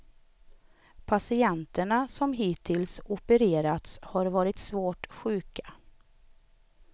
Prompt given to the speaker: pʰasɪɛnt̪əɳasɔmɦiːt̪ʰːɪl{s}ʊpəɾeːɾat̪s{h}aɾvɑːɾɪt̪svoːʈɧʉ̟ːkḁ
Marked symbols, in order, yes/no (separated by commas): yes, yes